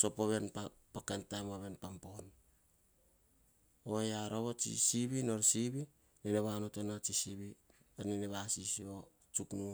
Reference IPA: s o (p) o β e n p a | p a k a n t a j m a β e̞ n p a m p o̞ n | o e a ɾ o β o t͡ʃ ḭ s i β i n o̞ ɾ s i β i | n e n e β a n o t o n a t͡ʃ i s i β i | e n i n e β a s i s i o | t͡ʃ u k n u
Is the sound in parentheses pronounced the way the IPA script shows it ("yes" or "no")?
yes